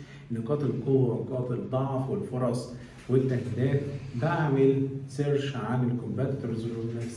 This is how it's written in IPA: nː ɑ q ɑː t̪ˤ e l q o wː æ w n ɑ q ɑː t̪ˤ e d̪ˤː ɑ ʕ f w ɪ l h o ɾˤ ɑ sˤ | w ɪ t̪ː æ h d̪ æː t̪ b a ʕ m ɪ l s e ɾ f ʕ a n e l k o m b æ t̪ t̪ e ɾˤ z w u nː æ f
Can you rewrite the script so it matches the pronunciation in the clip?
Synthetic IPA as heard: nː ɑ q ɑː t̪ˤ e l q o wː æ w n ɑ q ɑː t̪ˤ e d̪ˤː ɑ ʕ f w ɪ l f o ɾˤ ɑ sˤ | w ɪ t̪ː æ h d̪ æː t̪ b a ʕ m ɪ l s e ɾ ʃ ʕ a n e l k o m b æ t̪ t̪ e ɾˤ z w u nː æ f

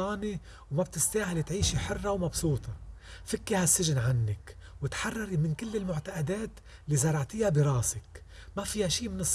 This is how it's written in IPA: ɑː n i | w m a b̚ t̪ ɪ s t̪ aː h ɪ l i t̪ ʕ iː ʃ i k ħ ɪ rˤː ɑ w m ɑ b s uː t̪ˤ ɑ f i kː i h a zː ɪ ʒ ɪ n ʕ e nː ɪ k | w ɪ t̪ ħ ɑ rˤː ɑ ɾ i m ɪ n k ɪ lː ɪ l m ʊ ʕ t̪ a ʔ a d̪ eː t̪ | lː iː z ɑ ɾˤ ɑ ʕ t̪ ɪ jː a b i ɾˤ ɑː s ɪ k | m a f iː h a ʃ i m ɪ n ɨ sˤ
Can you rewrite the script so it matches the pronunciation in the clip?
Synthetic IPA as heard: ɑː n i | w m a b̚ t̪ ɪ s t̪ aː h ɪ l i t̪ ʕ iː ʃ i ħ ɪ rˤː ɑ w m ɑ b s uː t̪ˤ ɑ f ɪ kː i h a sː ɪ ʒ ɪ n ʕ a nː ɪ k | w ɪ t̪ ħ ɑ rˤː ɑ ɾ i m ɪ n k ɪ lː ɪ l m ʊ ʕ t̪ a ʔ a d̪ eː t̪ | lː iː z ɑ ɾˤ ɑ ʕ t̪ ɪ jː a b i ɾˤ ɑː s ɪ k | m a f iː h a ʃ iː m ɪ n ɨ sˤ

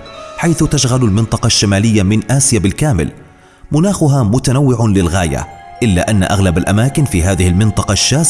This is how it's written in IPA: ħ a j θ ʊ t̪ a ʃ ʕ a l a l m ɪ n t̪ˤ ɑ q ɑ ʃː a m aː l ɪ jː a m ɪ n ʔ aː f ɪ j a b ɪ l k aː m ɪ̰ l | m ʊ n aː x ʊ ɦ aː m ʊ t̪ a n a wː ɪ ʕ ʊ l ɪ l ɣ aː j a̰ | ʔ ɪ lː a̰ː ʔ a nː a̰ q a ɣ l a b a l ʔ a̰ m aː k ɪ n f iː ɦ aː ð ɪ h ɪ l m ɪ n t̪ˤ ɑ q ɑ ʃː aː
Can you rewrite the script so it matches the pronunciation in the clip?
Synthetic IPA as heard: ħ a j θ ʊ t̪ a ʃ ɣ a l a l m ɪ n t̪ˤ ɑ q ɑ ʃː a m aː l ɪ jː a m ɪ n ʔ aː s ɪ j a b ɪ l k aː m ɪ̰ l | m ʊ n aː x ʊ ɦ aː m ʊ t̪ a n a wː ɪ ʕ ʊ l ɪ l ɣ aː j a̰ | ʔ ɪ lː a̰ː ʔ a nː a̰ ʔ a ɣ l a b a l ʔ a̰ m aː k ɪ n f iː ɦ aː ð ɪ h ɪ l m ɪ n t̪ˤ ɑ q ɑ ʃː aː

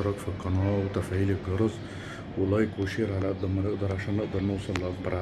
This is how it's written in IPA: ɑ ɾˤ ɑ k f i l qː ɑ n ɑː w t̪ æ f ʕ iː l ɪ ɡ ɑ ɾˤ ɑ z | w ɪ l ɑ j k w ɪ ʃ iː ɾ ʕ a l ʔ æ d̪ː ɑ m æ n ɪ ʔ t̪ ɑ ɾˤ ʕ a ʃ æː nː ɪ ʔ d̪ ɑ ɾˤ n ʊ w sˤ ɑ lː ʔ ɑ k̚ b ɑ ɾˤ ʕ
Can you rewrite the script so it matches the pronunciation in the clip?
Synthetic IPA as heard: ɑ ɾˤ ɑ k f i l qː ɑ n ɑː w t̪ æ f ʕ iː l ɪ ɡ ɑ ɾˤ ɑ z | w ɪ l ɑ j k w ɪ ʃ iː ɾ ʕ a l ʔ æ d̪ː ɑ m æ n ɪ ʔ d̪ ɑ ɾˤ ʕ a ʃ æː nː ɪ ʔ d̪ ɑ ɾˤ n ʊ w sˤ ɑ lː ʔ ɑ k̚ b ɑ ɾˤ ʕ

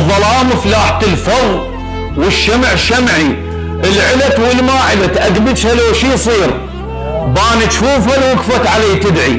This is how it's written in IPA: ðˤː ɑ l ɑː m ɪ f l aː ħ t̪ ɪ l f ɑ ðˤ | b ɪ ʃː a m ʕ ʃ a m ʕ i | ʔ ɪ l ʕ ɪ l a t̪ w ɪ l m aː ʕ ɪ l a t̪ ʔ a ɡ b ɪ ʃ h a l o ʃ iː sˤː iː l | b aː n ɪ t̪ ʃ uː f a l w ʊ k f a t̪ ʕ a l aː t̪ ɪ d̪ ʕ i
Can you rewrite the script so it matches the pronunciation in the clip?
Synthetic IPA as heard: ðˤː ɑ l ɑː m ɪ f l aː ħ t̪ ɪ l f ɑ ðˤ | w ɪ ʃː a m ʕ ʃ a m ʕ i | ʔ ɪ l ʕ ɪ l a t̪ w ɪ l m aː ʕ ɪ l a t̪ ʔ a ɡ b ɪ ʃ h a l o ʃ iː sˤ iː ɾ | b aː n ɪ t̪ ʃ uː f a l w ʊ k f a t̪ ʕ a l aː t̪ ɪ d̪ ʕ i

